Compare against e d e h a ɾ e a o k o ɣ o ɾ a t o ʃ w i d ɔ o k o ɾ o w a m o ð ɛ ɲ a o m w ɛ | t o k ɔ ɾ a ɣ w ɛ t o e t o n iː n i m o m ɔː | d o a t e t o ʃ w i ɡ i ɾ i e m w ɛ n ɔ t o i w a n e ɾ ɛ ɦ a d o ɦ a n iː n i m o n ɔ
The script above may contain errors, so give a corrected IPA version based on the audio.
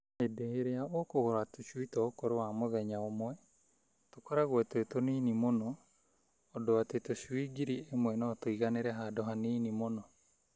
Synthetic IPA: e d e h e ɾ e a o k o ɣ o ɾ a t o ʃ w i t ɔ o k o ɾ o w a m o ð ɛ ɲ a o m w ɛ | t o k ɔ ɾ a ɣ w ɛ t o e t o n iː n i m o n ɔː | d o a t e t o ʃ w i ɡ i ɾ i e m w ɛ n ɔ t o i ɣ a n e ɾ ɛ ɦ a d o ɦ a n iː n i m o n ɔ